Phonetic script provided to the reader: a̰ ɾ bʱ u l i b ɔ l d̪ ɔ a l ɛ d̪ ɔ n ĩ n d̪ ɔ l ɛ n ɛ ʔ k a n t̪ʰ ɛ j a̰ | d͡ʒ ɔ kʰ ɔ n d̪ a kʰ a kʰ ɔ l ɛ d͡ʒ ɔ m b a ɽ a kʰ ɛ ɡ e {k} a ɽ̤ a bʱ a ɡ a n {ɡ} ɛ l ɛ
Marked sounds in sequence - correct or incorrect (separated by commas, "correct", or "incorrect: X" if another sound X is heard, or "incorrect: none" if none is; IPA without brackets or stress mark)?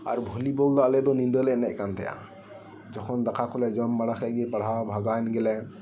incorrect: p, correct